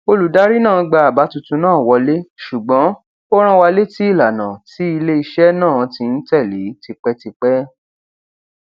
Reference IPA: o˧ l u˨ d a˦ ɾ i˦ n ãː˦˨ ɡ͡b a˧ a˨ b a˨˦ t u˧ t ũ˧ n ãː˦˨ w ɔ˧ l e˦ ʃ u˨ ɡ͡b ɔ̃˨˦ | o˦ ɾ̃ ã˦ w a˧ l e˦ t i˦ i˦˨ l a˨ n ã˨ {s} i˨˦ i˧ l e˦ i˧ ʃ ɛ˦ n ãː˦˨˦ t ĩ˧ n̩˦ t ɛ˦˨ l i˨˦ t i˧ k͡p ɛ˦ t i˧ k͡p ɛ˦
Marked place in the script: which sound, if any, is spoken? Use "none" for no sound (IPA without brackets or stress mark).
t